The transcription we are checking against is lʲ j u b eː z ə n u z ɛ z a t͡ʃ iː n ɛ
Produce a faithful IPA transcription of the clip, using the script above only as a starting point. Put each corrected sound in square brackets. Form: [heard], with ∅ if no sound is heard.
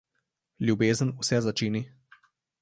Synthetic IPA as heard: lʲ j u b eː z ə n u [s] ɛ z a t͡ʃ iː n [i]